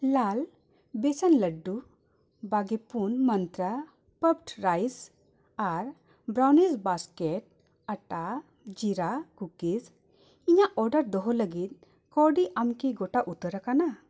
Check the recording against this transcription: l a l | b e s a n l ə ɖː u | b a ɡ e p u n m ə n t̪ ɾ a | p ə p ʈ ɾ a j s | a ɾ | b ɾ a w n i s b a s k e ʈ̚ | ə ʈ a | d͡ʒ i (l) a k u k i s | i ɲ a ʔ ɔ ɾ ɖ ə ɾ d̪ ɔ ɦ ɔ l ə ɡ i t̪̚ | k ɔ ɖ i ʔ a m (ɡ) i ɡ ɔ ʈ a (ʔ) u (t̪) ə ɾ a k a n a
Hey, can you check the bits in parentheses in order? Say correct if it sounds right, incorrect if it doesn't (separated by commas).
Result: incorrect, incorrect, correct, correct